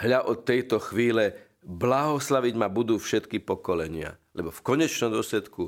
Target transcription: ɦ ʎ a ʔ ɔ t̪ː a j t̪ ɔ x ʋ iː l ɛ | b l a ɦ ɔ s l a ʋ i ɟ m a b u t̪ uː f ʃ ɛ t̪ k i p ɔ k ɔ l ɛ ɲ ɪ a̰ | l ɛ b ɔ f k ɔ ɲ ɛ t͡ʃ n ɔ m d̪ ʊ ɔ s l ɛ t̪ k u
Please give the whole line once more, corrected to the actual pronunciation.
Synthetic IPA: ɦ ʎ a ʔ ɔ t̪ː ɛ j t̪ ɔ x ʋ iː l ɛ | b l a ɦ ɔ s l a ʋ i ɟ m a b u d̪ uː f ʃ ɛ t̪ k i p ɔ k ɔ l ɛ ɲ ɪ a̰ | l ɛ b ɔ f k ɔ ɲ ɛ t͡ʃ n ɔ m d̪ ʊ ɔ s l ɛ t̪ k u